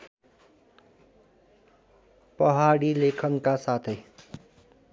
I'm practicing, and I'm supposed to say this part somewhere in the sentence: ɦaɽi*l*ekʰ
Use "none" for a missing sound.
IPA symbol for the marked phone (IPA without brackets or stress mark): l